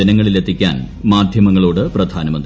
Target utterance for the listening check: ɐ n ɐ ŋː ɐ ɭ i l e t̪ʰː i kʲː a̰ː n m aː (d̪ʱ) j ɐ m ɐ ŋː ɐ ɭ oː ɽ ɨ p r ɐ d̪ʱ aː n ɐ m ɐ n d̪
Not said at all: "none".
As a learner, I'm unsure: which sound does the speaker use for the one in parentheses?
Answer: d̪ʱ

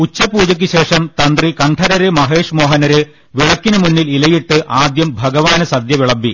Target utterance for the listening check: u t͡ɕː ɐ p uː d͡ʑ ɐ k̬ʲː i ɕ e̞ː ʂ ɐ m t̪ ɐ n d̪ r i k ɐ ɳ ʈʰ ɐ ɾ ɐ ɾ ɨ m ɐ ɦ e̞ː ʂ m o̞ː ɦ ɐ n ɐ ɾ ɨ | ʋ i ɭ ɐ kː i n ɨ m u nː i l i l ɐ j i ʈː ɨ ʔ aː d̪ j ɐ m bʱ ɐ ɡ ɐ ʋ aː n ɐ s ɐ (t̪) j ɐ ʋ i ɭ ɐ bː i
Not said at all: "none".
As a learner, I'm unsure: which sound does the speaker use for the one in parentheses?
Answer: d̪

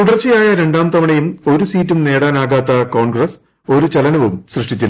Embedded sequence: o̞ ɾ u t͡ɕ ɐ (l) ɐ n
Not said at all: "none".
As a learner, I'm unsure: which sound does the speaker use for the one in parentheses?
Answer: l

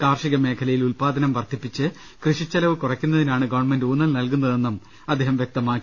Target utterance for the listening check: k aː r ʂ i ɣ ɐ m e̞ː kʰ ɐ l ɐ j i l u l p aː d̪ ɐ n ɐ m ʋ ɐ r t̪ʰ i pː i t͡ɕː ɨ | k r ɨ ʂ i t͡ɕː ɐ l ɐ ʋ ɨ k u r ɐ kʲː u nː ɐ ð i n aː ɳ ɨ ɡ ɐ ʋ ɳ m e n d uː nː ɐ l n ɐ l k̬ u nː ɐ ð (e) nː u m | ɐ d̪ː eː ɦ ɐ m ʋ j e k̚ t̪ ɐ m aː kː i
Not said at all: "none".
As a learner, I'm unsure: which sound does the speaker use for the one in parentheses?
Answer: e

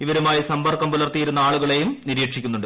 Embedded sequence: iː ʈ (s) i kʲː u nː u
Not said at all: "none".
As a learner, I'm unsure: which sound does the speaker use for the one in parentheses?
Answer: ʂ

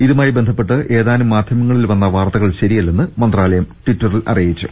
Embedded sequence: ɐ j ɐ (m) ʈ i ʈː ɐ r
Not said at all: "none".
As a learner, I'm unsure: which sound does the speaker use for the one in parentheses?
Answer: m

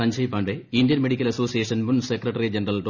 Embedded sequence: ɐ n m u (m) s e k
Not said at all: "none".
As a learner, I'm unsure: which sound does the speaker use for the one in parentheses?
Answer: n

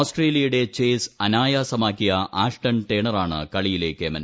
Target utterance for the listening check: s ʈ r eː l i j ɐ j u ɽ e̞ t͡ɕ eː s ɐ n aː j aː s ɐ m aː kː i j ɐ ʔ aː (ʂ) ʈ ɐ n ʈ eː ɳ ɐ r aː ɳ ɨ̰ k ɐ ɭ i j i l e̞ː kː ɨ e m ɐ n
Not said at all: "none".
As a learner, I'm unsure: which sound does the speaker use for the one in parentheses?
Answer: ʂ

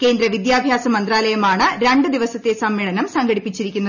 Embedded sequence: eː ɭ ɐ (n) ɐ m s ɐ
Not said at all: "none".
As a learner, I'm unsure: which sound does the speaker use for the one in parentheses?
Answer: n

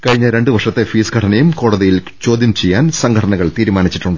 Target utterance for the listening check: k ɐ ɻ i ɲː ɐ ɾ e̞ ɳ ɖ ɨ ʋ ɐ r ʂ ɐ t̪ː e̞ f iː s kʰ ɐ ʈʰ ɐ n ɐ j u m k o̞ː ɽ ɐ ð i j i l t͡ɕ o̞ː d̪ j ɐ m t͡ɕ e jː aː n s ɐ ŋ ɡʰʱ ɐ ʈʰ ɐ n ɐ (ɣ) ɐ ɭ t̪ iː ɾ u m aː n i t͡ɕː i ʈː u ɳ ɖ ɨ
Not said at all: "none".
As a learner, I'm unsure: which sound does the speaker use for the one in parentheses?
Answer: ɣ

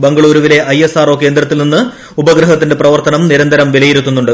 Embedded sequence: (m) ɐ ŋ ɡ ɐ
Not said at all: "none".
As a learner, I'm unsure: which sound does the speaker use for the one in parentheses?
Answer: b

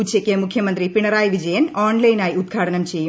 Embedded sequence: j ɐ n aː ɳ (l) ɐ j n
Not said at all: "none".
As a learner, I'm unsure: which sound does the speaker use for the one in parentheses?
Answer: l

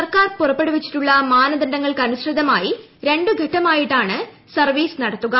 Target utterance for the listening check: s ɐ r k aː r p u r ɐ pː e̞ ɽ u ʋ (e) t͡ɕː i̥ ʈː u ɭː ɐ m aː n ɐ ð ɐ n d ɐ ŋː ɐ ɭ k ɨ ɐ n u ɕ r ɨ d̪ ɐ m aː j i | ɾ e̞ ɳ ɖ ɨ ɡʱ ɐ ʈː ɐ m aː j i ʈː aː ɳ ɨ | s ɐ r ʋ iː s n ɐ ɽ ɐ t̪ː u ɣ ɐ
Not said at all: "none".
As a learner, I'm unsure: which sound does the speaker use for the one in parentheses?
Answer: i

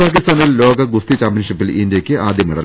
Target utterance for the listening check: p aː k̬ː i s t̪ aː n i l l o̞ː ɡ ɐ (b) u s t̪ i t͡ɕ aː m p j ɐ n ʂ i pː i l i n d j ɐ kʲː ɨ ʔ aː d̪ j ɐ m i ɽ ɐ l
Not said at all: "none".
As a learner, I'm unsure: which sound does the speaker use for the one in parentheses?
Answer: ɡ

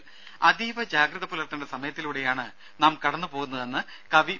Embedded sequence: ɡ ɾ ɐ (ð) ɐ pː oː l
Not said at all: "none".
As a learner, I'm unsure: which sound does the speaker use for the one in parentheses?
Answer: ð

